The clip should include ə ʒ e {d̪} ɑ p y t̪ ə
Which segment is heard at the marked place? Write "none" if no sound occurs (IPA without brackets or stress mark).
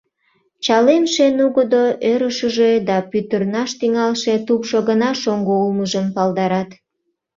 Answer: d̪